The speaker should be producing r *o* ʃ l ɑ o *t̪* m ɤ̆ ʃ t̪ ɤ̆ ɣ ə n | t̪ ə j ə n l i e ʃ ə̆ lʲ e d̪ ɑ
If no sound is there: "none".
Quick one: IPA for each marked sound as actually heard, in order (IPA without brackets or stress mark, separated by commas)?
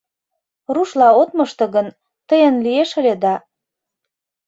u, t̪